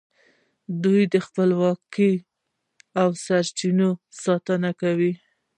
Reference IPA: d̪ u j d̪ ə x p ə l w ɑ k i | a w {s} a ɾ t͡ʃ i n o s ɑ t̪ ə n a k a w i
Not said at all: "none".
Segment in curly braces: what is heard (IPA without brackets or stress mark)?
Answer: s